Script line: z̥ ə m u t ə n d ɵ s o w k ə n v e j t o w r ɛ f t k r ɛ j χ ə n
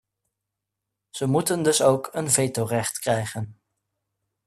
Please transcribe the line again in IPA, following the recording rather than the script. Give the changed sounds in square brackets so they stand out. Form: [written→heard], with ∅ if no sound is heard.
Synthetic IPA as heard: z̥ ə m u t ə n d ɵ s o w k ə n v e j t o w r ɛ [f→χ] t k r ɛ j χ ə n